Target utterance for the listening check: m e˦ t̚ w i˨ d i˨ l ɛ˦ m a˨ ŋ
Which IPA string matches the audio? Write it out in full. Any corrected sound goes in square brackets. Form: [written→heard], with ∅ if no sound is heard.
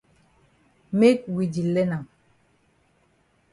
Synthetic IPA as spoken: m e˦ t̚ w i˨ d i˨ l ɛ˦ [m→n] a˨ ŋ